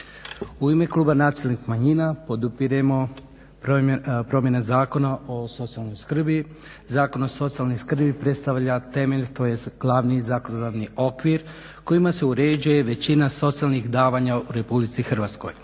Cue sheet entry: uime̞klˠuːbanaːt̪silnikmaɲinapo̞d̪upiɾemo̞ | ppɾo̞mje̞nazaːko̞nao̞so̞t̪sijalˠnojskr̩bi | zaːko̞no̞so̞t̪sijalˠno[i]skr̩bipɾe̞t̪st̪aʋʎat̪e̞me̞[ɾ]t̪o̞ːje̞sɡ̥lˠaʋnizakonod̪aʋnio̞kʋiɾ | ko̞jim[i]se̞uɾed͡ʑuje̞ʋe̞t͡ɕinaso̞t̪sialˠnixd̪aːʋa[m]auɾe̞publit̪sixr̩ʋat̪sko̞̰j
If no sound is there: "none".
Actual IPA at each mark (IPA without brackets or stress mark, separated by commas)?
j, ʎ, a, ɲ